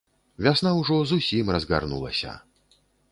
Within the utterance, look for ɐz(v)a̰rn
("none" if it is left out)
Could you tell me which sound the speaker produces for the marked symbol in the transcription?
ɣ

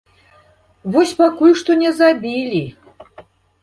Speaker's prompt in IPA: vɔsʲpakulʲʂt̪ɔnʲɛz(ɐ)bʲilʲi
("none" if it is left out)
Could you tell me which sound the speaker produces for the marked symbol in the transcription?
a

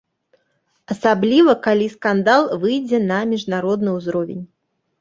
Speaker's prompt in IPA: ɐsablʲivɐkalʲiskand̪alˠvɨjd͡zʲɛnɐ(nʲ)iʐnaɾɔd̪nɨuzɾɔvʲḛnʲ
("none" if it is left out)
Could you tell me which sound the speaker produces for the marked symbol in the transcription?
mʲ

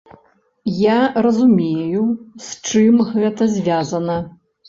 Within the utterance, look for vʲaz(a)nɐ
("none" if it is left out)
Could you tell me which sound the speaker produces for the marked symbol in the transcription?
ɐ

